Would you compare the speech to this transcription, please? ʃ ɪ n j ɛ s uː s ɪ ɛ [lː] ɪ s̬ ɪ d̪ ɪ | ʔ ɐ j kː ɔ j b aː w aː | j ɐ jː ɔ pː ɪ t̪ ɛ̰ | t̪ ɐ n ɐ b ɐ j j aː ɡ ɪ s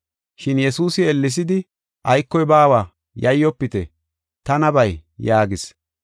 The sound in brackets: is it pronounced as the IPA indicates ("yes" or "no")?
yes